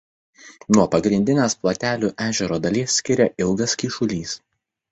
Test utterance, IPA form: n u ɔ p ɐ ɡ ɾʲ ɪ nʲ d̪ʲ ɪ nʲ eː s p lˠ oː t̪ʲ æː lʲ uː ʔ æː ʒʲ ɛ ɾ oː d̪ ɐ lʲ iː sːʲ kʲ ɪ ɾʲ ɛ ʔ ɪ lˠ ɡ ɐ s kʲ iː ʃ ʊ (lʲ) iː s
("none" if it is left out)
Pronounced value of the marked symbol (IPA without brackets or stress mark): lʲ